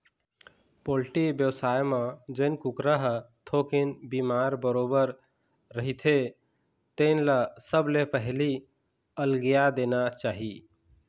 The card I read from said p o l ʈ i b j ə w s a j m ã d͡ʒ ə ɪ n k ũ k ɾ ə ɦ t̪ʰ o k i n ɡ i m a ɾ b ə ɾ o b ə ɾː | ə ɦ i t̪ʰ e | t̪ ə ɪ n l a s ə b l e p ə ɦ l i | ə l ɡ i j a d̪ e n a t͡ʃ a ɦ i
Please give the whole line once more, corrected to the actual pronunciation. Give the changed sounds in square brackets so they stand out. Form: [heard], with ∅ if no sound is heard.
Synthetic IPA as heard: p o l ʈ i b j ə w s a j m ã d͡ʒ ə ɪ n k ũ k ɾ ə ɦ t̪ʰ o k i n [b] i m a ɾ b ə ɾ o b ə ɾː | ə ɦ i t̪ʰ e | t̪ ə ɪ n l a s ə b l e p ə ɦ l i | ə l ɡ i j a d̪ e n a t͡ʃ a ɦ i